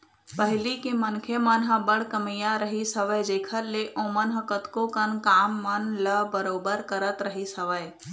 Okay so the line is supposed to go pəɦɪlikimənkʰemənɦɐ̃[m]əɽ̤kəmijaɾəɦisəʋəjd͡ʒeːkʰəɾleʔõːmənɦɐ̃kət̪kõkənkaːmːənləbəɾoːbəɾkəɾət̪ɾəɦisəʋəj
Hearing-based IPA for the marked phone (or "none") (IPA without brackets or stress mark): b